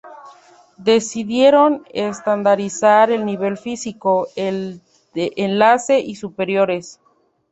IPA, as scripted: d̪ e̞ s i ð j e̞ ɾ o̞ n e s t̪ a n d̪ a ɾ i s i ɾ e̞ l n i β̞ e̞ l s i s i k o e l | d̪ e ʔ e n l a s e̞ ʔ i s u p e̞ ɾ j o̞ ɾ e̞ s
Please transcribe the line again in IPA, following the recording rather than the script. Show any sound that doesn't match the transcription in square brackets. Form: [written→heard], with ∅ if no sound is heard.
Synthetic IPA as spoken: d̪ e̞ s i ð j e̞ ɾ o̞ n e s t̪ a n d̪ a ɾ i s [i→a] ɾ e̞ l n i β̞ e̞ l [s→f] i s i k o e l | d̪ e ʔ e n l a s e̞ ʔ i s u p e̞ ɾ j o̞ ɾ e̞ s